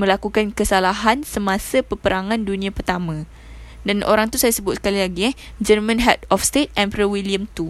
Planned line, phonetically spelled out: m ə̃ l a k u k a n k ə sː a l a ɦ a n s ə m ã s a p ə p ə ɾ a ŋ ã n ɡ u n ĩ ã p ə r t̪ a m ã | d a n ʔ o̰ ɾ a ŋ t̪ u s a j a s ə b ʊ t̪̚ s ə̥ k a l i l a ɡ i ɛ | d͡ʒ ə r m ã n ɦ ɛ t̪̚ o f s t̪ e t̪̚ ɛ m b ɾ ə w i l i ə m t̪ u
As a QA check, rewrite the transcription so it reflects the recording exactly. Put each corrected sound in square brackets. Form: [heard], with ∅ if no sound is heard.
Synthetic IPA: m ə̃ l a k u k a n k ə [s] a l a ɦ a n s ə m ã s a p ə p ə ɾ a ŋ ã n [d] u n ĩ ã p ə r t̪ a m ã | d a n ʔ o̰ ɾ a ŋ t̪ u s a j a s ə b ʊ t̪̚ s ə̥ k a l i l a ɡ i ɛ | d͡ʒ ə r m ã n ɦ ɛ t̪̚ [ɔ] f s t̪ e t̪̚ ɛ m [p] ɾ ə w i l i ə m t̪ u